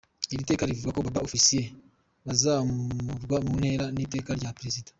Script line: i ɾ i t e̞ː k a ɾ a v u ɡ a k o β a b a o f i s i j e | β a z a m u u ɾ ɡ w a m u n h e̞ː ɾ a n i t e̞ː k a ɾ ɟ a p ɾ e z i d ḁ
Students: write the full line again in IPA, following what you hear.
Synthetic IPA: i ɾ i t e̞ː k a ɾ i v u ɡ a k o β a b a o f i s i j e | β a z a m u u ɾ ɡ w a m u n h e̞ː ɾ a n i t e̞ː k a ɾ ɟ a p ɾ e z i d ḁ

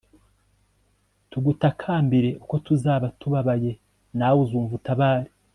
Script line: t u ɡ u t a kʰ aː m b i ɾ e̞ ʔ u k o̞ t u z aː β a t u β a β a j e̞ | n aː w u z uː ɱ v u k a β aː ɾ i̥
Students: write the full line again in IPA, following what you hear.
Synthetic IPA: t u ɡ u t a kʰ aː m b i ɾ e̞ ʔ u k o̞ t u z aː β a t u β a β a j e̞ | n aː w u z uː ɱ v u t a β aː ɾ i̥

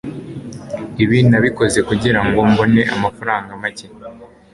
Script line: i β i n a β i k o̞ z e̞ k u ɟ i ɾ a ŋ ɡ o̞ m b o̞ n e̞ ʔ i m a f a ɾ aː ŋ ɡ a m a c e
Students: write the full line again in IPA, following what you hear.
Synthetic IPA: i β i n a β i k o̞ z e̞ k u ɟ i ɾ a ŋ ɡ o̞ m b o̞ n e̞ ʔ a m a f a ɾ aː ŋ ɡ a m a c e

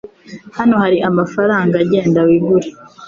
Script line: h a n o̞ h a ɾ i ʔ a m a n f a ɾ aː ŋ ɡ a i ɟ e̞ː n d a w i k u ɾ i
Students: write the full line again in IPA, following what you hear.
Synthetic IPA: h a n o̞ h a ɾ i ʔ a m a f a ɾ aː ŋ ɡ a a ɟ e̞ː n d a w i ɡ u ɾ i

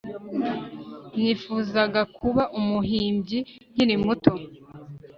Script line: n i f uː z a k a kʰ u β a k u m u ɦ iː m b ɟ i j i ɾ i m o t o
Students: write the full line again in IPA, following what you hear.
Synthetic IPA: n i f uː z a ɡ a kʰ u β a ʔ u m u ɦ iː m b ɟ i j i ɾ i m u t o

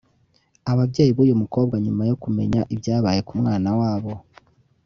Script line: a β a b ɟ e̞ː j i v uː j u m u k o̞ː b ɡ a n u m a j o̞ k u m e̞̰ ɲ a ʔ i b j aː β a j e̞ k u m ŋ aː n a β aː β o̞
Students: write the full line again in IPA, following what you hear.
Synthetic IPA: a β a b ɟ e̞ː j i β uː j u m u k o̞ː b ɡ a ɲ u m a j o̞ k u m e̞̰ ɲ a ʔ i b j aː β a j e̞ k u m ŋ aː n a w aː β o̞

